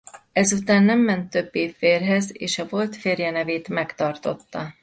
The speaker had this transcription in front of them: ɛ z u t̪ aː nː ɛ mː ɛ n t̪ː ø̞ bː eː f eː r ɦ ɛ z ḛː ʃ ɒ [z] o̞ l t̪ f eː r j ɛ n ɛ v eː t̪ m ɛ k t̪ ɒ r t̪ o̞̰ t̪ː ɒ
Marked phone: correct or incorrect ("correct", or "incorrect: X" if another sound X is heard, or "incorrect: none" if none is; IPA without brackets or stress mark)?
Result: incorrect: v